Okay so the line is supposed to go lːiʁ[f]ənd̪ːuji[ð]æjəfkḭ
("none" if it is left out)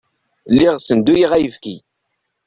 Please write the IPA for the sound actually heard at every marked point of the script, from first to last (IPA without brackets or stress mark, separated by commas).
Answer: s, ʁ